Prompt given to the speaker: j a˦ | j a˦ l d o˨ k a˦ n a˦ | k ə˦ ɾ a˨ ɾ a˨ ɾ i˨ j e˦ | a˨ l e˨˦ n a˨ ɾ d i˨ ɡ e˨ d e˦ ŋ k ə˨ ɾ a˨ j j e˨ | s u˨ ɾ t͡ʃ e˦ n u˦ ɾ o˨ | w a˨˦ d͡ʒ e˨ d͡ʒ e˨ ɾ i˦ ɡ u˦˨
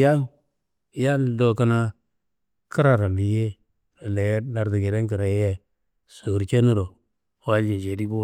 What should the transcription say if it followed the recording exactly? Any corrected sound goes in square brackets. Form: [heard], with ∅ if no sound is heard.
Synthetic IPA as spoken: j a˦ | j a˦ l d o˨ k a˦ n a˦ | k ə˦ ɾ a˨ ɾ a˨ [l] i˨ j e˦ | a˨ l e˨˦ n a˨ ɾ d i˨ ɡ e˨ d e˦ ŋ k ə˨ ɾ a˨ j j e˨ | s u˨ ɾ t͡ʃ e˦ n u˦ ɾ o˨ | w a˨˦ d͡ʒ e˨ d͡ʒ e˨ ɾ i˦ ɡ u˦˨